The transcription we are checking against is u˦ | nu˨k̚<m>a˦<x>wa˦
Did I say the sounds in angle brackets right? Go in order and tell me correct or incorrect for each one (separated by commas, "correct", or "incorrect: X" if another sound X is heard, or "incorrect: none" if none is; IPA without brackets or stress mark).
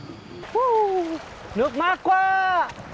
correct, incorrect: k